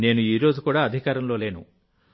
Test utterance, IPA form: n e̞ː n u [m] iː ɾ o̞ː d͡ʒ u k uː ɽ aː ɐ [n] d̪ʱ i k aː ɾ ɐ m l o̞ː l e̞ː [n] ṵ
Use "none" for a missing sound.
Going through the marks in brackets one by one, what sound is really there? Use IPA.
none, none, n

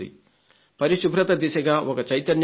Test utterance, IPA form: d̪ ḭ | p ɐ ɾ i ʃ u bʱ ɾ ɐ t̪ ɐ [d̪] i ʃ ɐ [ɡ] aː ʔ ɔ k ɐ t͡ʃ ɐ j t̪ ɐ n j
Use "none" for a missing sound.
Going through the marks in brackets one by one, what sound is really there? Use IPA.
d̪, ɡ

